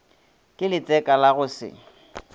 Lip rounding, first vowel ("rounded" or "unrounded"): unrounded